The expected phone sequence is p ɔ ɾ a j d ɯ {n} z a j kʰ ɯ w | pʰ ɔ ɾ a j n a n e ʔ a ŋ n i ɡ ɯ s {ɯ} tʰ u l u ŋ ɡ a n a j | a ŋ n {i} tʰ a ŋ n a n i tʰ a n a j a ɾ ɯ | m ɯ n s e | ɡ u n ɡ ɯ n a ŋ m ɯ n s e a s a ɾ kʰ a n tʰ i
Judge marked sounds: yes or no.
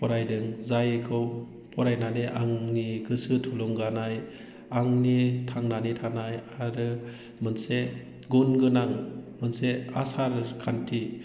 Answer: no, yes, yes

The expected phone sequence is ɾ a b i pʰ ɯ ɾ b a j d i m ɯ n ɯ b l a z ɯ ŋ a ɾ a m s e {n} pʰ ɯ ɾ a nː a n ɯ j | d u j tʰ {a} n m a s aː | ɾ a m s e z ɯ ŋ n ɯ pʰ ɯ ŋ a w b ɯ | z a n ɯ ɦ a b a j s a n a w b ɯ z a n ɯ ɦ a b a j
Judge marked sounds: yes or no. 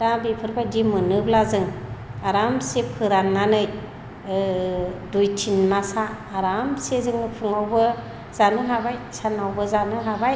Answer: no, no

